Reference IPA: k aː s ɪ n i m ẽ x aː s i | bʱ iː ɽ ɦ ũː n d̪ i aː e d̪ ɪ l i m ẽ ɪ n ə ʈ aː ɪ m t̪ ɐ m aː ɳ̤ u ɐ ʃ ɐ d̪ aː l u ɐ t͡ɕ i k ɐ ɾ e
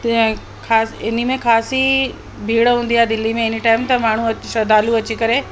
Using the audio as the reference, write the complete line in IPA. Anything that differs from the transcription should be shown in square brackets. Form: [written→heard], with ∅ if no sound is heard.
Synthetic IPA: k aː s ɪ n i m ẽ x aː s i | bʱ iː ɽ ɦ ũː n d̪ i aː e d̪ ɪ l i m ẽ ɪ n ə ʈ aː ɪ m t̪ ɐ m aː ɳ̤ u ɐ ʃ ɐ d̪ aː l u ɐ t͡ɕ i k ɐ ɾ e